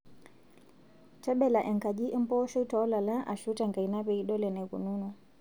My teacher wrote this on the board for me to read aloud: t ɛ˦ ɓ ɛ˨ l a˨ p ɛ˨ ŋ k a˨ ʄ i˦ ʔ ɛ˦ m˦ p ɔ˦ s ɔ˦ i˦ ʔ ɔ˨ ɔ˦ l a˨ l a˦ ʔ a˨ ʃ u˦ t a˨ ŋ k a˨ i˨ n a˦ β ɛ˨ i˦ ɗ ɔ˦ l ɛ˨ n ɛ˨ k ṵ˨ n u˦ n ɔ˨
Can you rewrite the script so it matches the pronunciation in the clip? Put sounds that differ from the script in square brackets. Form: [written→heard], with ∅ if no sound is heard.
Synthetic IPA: t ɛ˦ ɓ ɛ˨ l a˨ [p→ʔ] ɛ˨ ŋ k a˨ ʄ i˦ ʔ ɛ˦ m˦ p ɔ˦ [s→ʃ] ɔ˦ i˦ [ʔ→t] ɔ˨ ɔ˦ l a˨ l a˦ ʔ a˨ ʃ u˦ t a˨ ŋ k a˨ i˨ n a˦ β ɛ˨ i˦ ɗ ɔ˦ l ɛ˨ n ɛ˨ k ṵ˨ n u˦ n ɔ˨